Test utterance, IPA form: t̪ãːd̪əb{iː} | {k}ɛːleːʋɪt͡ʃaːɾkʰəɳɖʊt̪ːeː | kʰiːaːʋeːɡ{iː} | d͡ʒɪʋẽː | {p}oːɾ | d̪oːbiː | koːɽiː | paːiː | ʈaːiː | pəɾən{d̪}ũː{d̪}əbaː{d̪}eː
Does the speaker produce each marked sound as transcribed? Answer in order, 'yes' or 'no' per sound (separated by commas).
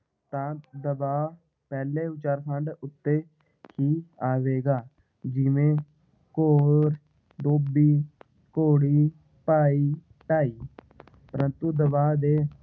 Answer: no, no, no, no, no, yes, yes